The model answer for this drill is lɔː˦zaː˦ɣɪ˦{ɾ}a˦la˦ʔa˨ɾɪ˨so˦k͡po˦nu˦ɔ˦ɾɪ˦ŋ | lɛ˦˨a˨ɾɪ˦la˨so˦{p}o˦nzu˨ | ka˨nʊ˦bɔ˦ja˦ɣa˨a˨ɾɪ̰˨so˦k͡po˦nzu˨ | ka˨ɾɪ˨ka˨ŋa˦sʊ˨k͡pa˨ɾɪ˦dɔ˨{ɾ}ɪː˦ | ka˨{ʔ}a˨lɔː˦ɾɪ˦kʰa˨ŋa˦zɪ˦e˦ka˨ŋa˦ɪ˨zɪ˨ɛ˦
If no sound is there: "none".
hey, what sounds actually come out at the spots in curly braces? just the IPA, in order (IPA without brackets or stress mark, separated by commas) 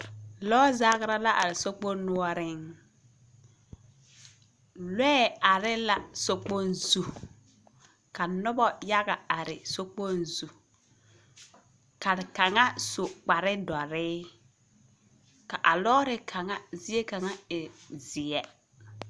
ɾ, k͡p, ɾ, ʔ